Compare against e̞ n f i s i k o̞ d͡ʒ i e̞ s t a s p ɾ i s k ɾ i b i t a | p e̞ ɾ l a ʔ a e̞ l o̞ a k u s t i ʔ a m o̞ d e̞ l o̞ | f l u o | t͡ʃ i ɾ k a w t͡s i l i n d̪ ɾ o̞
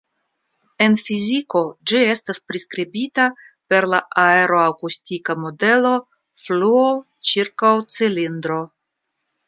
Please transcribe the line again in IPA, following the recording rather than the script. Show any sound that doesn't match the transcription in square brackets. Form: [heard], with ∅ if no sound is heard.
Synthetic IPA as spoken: e̞ n f i [z] i k o̞ d͡ʒ i e̞ s t a s p ɾ i s k ɾ i b i t a | p e̞ ɾ l a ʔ a e̞ [ɾ] o̞ a k u s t i [k] a m o̞ d e̞ l o̞ | f l u o | t͡ʃ i ɾ k a w t͡s i l i n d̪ ɾ o̞